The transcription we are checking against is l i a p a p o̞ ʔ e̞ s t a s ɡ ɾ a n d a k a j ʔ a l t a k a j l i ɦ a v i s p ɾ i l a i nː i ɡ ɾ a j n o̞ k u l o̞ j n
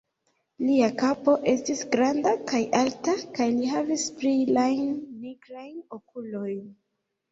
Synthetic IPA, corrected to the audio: l i a k a p o̞ ʔ e̞ s t i s ɡ ɾ a n d a k a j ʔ a l t a k a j l i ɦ a v i s p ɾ i l a j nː i ɡ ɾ a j n o̞ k u l o̞ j n